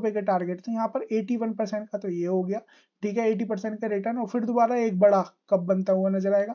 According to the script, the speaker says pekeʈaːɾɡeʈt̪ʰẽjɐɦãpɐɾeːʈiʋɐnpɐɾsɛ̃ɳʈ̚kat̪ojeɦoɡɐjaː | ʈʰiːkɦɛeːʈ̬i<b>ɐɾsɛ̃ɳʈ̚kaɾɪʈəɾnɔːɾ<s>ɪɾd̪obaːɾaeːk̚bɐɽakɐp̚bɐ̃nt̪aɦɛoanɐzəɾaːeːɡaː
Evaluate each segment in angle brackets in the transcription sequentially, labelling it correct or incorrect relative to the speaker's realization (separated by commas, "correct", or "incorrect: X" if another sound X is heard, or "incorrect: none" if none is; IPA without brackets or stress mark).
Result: incorrect: p, incorrect: f